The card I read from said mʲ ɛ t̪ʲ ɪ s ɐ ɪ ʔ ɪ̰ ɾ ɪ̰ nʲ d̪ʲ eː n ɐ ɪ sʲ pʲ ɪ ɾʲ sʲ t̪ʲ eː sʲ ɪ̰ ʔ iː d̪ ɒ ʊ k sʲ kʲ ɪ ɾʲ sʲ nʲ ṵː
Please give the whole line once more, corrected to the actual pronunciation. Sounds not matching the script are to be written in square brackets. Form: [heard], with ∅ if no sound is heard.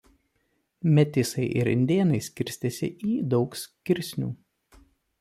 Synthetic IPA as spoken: mʲ ɛ t̪ʲ ɪ s ɐ ɪ ʔ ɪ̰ ɾ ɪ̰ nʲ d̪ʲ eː n ɐ ɪ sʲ [kʲ] ɪ ɾʲ sʲ t̪ʲ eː sʲ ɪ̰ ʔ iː d̪ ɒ ʊ k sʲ kʲ ɪ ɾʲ sʲ nʲ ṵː